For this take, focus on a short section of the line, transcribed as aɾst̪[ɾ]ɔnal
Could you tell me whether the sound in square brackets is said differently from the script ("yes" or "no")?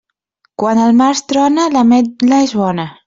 no